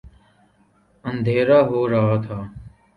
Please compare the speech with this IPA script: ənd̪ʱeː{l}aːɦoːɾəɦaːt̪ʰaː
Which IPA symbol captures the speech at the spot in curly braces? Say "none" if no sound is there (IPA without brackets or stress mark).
ɾ